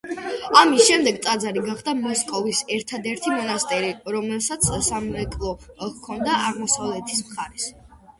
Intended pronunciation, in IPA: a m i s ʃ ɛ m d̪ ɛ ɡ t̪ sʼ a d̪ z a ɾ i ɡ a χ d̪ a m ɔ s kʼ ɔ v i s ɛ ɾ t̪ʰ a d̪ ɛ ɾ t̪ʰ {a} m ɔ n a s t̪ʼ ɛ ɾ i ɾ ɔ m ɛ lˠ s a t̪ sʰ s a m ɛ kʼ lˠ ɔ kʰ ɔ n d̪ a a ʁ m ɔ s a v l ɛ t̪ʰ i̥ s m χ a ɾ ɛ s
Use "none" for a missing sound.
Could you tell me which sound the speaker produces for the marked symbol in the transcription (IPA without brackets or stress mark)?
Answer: i